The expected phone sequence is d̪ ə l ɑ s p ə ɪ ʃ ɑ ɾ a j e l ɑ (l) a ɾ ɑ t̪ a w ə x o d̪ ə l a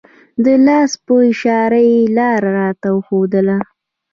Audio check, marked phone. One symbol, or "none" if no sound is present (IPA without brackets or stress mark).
ɾ